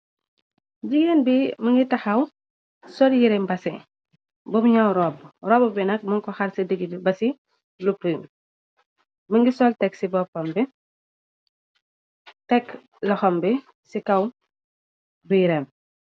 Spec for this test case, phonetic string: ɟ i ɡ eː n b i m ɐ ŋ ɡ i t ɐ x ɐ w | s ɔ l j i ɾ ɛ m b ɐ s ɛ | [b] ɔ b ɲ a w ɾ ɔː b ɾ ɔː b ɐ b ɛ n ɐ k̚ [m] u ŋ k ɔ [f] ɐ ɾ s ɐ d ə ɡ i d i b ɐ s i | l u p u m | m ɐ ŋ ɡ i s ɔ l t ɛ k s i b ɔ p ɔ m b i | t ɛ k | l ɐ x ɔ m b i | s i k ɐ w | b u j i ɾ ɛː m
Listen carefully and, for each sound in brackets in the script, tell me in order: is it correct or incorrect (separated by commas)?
correct, correct, incorrect